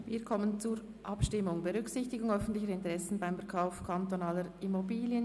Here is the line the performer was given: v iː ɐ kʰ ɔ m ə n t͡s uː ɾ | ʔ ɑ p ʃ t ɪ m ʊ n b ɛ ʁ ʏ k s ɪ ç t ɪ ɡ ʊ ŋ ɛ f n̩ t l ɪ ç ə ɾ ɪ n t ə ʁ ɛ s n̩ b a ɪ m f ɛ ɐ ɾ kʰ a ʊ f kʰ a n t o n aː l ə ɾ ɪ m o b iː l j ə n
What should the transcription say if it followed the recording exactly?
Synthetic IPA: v iː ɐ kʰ ɔ m ə n t͡s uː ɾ | ʔ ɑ p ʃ t ɪ m ʊ ŋ b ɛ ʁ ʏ k s ɪ ç t ɪ ɡ ʊ ŋ œ f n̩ t l ɪ ç ə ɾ ɪ n t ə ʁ ɛ s n̩ b a ɪ m f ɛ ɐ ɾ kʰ a ʊ f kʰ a n t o n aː l ə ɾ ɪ m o b iː l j ə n